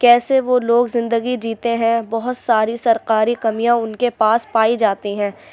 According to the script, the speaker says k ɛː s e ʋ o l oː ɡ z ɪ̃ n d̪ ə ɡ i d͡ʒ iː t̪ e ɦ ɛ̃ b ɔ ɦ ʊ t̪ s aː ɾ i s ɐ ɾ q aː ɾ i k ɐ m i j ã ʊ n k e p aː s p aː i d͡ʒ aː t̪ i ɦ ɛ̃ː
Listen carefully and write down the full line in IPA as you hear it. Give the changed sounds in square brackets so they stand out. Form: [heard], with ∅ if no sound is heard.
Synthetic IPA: k ɛː s e ʋ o l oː ɡ z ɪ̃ n d̪ ə ɡ i d͡ʒ iː t̪ e ɦ ɛ̃ b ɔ ɦ ʊ t̪ s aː ɾ i s ɐ ɾ q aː ɾ i k ɐ m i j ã ʊ n k e p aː s p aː i d͡ʒ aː t̪ i ɦ ɛ̃ː